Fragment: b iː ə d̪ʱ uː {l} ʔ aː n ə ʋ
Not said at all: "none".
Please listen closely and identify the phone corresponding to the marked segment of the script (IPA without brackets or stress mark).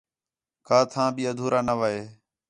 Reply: ɾ